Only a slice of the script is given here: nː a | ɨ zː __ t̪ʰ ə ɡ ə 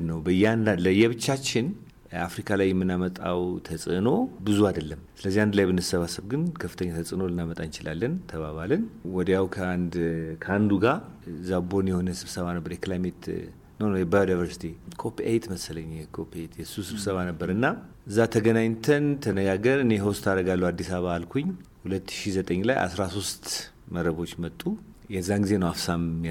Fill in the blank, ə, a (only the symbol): a